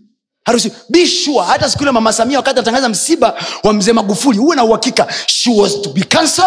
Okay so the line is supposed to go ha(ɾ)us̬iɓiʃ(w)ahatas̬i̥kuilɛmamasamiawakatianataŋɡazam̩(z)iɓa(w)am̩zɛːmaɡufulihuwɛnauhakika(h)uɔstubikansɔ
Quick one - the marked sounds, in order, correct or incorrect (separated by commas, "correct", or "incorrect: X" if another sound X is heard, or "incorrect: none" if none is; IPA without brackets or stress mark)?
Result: correct, incorrect: u, incorrect: s, correct, incorrect: ʃ